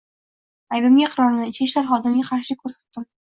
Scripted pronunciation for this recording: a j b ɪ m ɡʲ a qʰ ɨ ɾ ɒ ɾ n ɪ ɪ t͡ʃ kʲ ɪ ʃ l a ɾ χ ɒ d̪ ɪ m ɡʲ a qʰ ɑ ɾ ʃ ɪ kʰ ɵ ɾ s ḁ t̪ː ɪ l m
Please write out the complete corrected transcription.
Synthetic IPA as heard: a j b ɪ m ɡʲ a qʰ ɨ ɾ ɒ ɾ n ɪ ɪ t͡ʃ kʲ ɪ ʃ l a ɾ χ ɒ d̪ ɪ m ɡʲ a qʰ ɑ ɾ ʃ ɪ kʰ ɵ ɾ s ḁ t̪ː ɪ m

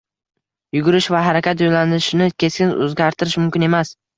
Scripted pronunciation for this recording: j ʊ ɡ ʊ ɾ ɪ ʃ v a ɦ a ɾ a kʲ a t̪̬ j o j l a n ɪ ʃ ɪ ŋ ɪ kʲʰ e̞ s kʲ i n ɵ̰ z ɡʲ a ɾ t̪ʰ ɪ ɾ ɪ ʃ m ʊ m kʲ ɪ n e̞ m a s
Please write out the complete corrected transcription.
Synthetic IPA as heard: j ʊ ɡ ʊ ɾ ɪ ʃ v a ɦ a ɾ a kʲ a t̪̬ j o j l a n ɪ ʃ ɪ n ɪ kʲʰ e̞ s kʲ ɪ n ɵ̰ z ɡʲ a ɾ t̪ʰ ɪ ɾ ɪ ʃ m ʊ m kʲ ɪ n e̞ m a s

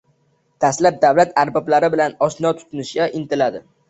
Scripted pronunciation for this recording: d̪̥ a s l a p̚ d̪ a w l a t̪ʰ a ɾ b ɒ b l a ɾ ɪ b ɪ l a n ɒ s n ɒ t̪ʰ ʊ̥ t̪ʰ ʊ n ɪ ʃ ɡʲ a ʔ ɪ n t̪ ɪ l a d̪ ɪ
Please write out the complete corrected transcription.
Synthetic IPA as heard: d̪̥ a s l a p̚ d̪ a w l a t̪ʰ a ɾ b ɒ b l a ɾ ɪ b ɪ l a n ɒ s n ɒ t̪ʰ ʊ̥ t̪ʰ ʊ n ɪ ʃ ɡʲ a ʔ ɪ n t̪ ɪ l a d̪ ɪ

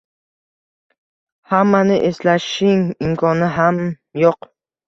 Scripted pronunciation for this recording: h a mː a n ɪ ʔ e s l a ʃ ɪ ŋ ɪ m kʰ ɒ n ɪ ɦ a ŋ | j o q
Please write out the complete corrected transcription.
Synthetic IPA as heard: h a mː a n ɪ ʔ e s l a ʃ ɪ ŋ ɪ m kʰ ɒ n ɪ ɦ a m | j o q

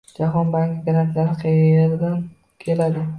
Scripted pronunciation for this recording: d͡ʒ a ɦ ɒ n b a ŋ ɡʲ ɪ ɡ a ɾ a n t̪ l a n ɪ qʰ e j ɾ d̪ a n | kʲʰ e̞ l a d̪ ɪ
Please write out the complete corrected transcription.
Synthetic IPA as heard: d͡ʒ a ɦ ɒ n b a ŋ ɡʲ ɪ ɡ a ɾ a n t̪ l a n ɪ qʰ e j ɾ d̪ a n | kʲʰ e̞ l a d̪ ɪ

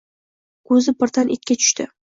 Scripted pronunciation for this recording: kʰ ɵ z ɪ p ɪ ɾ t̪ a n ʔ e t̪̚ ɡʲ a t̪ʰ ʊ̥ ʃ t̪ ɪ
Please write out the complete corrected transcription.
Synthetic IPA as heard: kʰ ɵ z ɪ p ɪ ɾ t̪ a n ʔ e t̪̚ kʲ a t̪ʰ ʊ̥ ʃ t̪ ɪ

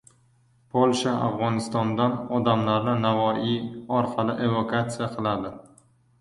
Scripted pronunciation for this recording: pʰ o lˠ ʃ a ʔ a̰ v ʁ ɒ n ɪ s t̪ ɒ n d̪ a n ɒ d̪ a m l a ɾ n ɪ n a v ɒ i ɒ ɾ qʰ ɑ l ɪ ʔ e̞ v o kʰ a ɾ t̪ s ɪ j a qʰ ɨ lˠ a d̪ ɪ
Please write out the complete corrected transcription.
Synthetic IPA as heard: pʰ o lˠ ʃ a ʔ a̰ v ʁ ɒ n ɪ s t̪ ɒ n d̪ a n ɒ d̪ a m l a ɾ n ɪ n a v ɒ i ɒ ɾ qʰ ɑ l ɪ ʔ e̞ v o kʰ a t̪ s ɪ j a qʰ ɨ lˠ a d̪ ɪ

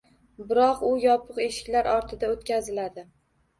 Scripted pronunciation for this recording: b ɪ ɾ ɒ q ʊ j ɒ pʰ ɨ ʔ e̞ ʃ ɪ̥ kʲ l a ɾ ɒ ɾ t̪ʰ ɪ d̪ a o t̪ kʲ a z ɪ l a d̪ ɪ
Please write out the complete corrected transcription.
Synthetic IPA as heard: b ɪ ɾ ɒ q ʊ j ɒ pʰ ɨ q e̞ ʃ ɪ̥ kʲ l a ɾ ɒ ɾ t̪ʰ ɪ d̪ a o t̪ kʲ a z ɪ l a d̪ ɪ

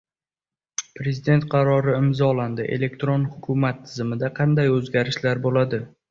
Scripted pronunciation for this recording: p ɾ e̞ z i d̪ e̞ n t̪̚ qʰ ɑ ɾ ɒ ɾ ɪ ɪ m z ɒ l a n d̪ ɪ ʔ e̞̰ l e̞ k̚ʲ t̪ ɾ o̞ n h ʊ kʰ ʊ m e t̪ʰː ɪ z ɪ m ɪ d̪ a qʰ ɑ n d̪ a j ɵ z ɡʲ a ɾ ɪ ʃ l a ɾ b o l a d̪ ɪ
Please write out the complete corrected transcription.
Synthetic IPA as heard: p ɾ e̞ z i d̪ e̞ n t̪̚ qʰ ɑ ɾ ɒ ɾ ɪ ɪ m z ɒ l a n d̪ ɪ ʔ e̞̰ l e̞ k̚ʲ t̪ ɾ o̞ n h ʊ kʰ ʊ m a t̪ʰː ɪ z ɪ m ɪ d̪ a qʰ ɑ n d̪ a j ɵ z ɡʲ a ɾ ɪ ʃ l a ɾ b o l a d̪ ɪ

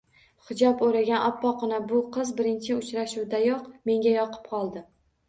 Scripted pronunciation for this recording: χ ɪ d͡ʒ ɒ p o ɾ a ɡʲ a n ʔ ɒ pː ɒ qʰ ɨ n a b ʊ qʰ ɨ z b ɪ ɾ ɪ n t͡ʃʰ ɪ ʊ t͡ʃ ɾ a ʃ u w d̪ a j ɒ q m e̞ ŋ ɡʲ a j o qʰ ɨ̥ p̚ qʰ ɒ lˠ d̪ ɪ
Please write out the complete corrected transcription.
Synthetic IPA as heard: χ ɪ d͡ʒ ɒ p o ɾ a ɡʲ a n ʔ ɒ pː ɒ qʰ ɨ n a b ʊ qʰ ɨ z b ɪ ɾ ɪ n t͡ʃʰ ɪ ʊ t͡ʃ ɾ a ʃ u w d̪ a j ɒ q m e̞ ŋ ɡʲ a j ɒ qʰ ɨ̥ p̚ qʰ ɒ lˠ d̪ ɪ

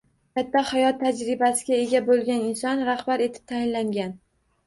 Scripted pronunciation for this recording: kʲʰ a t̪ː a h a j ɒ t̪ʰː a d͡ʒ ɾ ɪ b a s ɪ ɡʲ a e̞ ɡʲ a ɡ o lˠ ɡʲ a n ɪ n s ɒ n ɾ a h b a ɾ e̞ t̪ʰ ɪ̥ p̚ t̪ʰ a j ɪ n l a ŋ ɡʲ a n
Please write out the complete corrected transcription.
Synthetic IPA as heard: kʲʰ a t̪ː a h a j ɒ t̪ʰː a d͡ʒ ɾ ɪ b a s ɪ ɡʲ a e̞ ɡʲ a b o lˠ ɡʲ a n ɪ n s ɒ n ɾ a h b a ɾ e̞ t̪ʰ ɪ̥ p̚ t̪ʰ a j ɪ n l a ŋ ɡʲ a n

